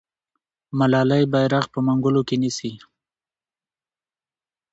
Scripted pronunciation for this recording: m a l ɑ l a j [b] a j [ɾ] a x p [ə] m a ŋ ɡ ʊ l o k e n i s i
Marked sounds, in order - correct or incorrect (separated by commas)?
correct, correct, correct